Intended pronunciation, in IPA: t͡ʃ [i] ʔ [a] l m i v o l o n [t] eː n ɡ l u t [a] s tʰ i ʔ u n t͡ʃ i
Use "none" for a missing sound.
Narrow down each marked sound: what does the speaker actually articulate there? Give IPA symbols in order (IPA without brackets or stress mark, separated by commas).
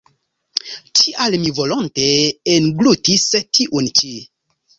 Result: i, a, t, i